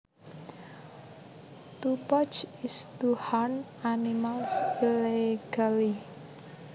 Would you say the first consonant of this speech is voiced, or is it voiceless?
voiceless